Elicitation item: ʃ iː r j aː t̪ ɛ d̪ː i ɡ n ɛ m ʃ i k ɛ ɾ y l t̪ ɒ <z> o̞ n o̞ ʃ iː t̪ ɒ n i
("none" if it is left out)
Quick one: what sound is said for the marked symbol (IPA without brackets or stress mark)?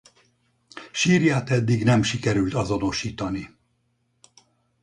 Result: z